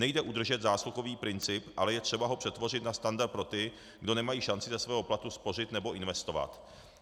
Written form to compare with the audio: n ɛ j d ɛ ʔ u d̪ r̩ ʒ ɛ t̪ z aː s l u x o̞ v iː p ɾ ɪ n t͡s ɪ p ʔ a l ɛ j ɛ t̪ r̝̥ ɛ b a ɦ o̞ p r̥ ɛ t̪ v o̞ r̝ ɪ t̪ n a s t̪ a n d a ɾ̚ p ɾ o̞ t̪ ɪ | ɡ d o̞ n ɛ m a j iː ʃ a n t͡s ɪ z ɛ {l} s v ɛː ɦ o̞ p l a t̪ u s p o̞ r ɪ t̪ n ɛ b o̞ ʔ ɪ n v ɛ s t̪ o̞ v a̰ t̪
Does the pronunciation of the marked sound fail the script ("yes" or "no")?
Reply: yes